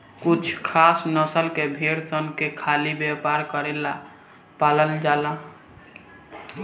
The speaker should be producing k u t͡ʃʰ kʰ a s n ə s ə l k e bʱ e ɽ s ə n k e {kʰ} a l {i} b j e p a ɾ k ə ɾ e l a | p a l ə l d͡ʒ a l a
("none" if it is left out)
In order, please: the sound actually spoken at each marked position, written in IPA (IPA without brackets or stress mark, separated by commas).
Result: kʰ, i